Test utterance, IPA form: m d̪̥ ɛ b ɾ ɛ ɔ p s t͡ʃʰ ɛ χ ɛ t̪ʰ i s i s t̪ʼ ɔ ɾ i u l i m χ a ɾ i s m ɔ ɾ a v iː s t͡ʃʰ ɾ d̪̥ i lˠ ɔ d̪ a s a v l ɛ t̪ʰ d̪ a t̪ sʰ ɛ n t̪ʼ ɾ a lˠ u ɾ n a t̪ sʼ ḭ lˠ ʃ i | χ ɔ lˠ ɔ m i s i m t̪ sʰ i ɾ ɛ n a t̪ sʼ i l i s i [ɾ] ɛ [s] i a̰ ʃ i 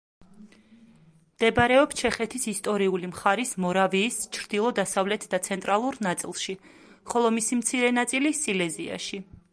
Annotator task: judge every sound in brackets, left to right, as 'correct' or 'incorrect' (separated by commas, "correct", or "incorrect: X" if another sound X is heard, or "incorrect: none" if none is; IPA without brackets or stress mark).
incorrect: l, incorrect: z